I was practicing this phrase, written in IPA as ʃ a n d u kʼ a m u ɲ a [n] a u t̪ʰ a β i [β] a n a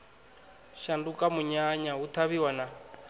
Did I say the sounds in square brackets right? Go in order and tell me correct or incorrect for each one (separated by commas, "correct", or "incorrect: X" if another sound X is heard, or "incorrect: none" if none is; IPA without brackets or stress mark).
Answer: incorrect: ɲ, incorrect: w